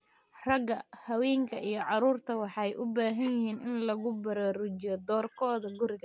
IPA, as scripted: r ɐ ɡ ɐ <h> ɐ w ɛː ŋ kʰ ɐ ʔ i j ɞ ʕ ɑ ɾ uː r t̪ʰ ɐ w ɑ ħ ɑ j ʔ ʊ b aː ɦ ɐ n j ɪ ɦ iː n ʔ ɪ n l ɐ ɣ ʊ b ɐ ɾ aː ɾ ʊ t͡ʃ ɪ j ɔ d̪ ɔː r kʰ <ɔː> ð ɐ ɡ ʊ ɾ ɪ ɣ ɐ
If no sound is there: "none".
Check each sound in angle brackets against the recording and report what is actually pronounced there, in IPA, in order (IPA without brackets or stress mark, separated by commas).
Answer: h, ɔː